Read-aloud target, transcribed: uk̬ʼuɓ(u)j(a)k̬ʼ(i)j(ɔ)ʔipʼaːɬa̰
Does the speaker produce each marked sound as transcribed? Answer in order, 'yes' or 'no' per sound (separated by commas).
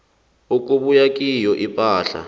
yes, yes, yes, yes